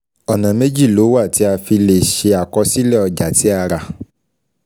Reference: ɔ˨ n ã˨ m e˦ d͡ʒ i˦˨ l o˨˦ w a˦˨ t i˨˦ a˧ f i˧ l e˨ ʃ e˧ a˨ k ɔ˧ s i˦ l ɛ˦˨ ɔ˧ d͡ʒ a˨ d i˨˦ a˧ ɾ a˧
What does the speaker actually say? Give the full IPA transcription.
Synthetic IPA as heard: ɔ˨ n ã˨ m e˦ d͡ʒ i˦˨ l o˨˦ w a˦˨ t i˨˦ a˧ f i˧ l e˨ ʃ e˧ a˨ k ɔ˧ s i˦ l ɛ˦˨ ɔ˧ d͡ʒ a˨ t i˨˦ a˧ ɾ a˧